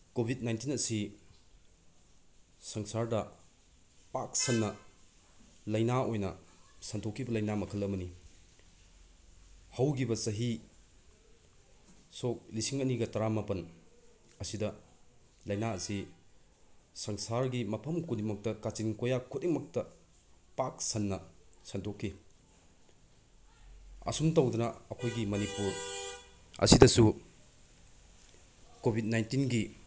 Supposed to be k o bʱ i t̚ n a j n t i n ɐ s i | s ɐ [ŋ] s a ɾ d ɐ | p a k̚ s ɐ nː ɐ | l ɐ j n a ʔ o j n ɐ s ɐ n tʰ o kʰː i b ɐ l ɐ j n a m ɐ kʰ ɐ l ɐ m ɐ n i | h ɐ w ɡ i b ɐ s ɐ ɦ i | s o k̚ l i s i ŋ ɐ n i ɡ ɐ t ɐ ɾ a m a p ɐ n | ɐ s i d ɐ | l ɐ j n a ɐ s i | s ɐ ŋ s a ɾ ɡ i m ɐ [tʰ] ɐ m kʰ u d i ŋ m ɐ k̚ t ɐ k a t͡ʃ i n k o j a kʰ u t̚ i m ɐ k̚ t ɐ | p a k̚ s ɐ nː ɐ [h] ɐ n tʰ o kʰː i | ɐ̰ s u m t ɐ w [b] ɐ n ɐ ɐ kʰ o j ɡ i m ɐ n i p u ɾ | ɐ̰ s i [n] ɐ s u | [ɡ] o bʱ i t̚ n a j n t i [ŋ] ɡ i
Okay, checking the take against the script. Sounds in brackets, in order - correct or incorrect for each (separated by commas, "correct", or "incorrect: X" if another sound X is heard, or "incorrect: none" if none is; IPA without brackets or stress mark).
correct, incorrect: pʰ, incorrect: s, incorrect: d, incorrect: d, incorrect: k, incorrect: n